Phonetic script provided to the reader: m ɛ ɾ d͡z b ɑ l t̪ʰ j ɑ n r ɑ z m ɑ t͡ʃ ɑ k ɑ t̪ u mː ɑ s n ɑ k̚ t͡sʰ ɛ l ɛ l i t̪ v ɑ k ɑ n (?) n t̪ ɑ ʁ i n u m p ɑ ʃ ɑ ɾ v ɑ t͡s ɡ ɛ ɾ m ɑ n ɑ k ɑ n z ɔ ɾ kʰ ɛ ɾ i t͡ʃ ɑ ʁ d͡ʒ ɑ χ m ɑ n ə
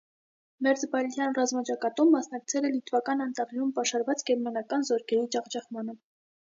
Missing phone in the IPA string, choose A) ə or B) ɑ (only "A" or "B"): B